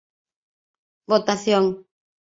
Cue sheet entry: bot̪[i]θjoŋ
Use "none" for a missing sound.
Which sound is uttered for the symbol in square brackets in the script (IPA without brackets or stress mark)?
a